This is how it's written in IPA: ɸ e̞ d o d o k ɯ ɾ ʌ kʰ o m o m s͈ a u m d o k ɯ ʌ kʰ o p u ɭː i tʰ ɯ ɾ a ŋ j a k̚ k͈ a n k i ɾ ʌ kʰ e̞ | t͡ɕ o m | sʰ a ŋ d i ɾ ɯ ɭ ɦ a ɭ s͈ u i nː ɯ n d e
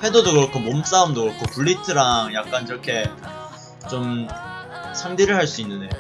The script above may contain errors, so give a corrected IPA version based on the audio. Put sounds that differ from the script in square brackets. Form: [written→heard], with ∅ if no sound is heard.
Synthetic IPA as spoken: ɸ e̞ d o d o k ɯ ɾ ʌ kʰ o m o m s͈ a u m d o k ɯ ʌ kʰ o p u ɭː i tʰ ɯ ɾ a ŋ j a k̚ k͈ a n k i ɾ ʌ kʰ e̞ | t͡ɕ o m | sʰ a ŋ d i ɾ ɯ ɭ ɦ a ɭ s͈ u i nː ɯ n d e